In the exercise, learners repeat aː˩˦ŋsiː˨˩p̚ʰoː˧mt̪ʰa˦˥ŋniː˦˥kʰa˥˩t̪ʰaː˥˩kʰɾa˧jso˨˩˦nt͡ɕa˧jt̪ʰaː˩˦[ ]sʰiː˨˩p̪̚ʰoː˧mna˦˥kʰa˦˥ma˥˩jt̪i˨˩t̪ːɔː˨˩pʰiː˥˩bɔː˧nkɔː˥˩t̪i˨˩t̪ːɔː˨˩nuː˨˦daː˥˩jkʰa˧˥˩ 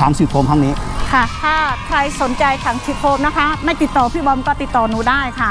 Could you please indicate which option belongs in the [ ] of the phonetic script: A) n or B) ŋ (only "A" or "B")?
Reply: B